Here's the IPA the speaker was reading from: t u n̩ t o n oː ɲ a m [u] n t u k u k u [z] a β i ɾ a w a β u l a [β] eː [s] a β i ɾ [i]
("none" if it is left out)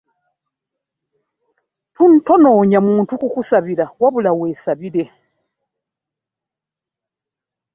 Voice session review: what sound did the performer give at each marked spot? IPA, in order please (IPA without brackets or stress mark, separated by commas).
uː, s, w, s, e